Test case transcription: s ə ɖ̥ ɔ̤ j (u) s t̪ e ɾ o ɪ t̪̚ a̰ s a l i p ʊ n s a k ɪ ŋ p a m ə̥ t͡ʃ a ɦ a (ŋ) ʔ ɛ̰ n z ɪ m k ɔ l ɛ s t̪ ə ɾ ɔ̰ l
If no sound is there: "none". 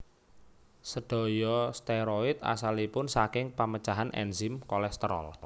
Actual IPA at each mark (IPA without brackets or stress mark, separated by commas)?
ɔ, n